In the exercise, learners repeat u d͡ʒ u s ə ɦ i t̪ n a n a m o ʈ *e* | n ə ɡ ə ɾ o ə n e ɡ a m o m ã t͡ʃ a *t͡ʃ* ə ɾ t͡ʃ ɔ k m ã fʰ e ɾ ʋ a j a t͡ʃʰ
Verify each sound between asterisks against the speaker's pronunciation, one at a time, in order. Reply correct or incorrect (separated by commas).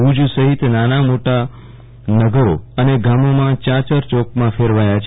incorrect, correct